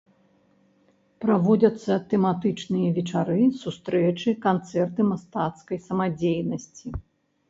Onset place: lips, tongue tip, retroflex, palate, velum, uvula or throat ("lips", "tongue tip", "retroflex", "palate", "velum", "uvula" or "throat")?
lips